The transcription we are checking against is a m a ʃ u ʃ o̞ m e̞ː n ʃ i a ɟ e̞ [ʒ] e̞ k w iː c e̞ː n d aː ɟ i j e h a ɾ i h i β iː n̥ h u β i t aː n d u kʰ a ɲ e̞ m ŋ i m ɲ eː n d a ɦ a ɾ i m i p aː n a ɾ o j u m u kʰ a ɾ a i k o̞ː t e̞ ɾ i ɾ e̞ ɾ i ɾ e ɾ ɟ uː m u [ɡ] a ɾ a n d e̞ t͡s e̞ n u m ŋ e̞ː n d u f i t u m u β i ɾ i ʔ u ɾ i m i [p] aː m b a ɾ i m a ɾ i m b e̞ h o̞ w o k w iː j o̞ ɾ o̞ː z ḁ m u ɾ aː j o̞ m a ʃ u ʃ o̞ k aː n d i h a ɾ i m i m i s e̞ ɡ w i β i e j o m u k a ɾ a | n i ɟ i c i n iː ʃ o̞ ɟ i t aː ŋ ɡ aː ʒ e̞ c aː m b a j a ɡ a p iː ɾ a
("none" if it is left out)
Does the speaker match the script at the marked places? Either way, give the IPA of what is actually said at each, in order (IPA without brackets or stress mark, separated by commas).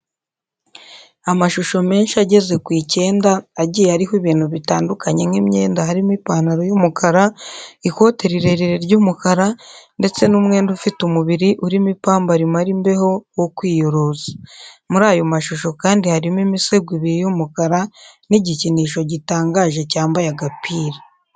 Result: z, k, p